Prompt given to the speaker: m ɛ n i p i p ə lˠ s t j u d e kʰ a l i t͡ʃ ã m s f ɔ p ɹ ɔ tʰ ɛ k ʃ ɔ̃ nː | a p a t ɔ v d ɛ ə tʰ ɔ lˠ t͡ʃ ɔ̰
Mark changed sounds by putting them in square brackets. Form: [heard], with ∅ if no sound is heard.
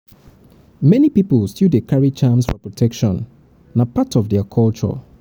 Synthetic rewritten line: m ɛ n i p i p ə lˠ s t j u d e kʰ a [ɹ] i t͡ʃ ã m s f ɔ p ɹ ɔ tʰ ɛ k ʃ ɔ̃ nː | a p a t ɔ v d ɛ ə [kʰ] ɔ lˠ t͡ʃ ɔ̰